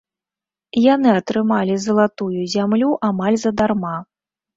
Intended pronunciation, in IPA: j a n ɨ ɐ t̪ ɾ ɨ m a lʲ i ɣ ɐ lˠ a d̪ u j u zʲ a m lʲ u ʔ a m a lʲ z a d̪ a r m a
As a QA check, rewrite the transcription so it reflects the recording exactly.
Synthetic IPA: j a n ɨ ɐ t̪ ɾ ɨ m a lʲ i z ɐ lˠ a t̪ u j u zʲ a m lʲ u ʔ a m a lʲ z ɐ d̪ a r m a